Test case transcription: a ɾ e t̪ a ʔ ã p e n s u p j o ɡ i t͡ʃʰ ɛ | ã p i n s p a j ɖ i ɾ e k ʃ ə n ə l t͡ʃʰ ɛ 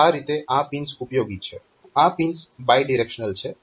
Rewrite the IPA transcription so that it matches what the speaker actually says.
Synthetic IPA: a ɾ i t̪ e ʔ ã p i n s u p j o ɡ i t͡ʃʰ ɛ | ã p i n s b a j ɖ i ɾ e k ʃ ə n ə l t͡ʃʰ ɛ